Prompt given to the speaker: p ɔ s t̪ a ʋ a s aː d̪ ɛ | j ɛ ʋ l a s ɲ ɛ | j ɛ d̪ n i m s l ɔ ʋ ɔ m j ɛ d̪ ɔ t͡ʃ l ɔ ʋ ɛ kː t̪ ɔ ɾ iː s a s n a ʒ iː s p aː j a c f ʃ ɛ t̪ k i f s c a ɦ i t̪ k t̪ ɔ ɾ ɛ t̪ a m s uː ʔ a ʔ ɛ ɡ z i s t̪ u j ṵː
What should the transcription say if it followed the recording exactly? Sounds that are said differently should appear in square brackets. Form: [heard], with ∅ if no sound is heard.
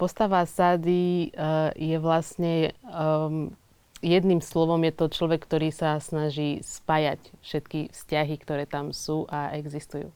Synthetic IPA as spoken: p ɔ s t̪ a ʋ a s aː d̪ [i] | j ɛ ʋ l a s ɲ ɛ | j ɛ d̪ n i m s l ɔ ʋ ɔ m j ɛ [t̪] ɔ t͡ʃ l ɔ ʋ ɛ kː t̪ ɔ ɾ iː s a s n a ʒ iː s p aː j a c f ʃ ɛ t̪ k i f s c a ɦ i [∅] k t̪ ɔ ɾ [ɛː] t̪ a m s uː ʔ a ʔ ɛ ɡ z i s t̪ u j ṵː